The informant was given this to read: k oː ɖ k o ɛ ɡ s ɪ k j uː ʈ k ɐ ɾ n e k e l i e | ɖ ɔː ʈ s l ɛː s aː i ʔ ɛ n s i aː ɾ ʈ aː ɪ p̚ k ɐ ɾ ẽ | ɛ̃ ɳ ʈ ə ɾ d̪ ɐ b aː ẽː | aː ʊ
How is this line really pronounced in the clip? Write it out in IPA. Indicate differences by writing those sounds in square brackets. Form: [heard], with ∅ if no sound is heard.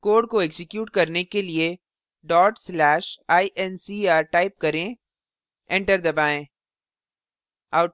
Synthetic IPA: k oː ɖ k o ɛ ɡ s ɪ k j uː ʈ k ɐ ɾ n e k e l i e | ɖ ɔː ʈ s l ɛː [ʃ] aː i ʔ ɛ n s i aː ɾ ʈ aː ɪ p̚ k ɐ ɾ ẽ | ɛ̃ ɳ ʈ ə ɾ d̪ ɐ b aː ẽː | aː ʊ